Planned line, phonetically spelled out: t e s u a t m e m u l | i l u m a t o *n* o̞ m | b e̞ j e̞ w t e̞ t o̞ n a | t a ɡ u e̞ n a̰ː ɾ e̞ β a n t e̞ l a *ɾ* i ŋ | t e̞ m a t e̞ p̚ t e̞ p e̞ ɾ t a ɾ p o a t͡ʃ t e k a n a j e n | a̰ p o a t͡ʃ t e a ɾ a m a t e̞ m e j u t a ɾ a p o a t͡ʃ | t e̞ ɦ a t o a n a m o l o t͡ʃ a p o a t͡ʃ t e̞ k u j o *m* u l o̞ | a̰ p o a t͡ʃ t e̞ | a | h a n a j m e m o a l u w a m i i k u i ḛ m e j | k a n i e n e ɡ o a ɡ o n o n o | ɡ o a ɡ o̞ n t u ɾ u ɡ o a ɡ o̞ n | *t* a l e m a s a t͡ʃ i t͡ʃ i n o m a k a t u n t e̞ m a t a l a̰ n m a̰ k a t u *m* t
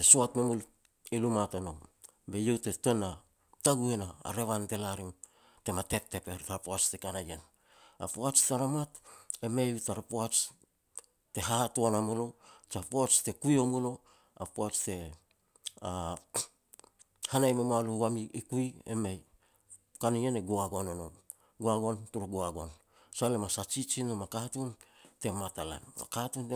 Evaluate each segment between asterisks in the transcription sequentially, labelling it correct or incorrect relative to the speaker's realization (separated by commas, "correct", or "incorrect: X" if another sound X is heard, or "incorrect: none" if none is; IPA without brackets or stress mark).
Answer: correct, correct, correct, incorrect: s, incorrect: n